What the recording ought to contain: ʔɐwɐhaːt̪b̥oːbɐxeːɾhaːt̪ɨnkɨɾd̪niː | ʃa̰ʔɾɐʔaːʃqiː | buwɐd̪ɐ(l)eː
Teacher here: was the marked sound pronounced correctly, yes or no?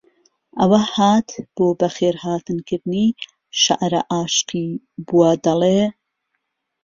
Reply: yes